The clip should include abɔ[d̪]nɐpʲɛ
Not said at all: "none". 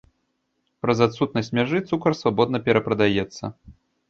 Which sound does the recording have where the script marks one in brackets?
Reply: d̪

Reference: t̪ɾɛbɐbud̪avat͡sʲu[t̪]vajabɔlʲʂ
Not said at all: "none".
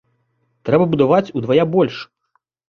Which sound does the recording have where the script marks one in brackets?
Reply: d̪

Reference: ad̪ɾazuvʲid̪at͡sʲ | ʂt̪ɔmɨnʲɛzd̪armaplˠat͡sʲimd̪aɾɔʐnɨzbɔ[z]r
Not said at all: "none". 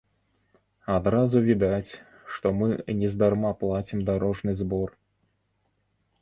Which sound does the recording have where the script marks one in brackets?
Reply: none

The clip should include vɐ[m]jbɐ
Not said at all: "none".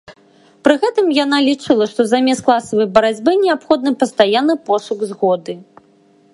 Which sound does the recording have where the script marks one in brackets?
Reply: none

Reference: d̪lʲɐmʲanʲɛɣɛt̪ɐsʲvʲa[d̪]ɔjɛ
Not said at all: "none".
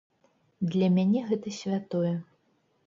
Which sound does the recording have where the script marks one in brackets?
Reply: t̪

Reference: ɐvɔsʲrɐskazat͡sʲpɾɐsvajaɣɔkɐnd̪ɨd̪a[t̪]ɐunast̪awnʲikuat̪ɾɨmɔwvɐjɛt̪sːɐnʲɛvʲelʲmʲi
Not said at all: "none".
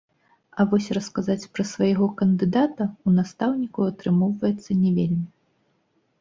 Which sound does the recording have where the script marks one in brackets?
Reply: t̪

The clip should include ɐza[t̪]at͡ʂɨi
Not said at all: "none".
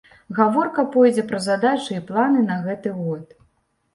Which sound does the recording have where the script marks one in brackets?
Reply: d̪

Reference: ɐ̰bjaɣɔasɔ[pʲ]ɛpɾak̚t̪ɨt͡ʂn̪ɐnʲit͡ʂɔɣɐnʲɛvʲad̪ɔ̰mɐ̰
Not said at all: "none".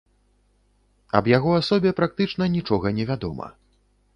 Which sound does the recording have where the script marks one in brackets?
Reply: bʲ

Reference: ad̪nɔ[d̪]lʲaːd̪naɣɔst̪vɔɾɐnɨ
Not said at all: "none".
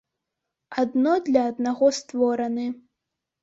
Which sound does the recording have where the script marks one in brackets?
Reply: d̪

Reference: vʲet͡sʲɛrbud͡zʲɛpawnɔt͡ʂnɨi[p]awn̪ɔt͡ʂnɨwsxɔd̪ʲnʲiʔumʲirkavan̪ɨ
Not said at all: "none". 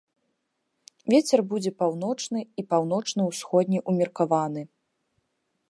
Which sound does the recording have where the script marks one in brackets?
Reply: p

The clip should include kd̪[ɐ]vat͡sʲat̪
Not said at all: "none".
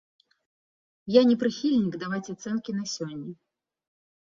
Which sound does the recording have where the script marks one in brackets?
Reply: a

